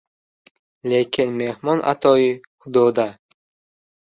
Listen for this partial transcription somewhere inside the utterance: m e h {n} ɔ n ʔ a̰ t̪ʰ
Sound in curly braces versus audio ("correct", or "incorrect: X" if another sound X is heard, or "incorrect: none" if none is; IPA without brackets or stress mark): incorrect: m